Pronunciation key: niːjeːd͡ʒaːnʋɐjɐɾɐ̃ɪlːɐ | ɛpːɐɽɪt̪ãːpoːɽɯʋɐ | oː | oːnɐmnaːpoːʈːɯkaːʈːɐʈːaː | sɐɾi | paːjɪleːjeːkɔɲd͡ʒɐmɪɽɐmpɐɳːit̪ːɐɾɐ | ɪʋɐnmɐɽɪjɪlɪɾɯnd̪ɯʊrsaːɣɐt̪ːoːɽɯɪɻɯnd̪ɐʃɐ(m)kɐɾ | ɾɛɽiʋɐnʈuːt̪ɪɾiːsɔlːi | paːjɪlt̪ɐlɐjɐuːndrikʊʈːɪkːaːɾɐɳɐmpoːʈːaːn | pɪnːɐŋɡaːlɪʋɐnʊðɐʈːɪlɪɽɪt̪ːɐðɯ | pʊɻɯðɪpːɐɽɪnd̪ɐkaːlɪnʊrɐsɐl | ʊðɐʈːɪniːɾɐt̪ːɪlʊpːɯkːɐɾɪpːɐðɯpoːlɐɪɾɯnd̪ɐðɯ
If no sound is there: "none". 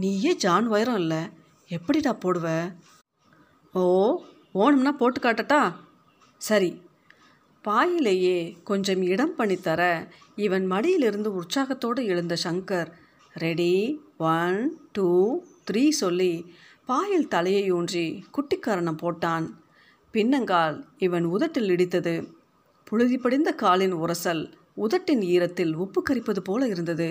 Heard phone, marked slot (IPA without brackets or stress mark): ŋ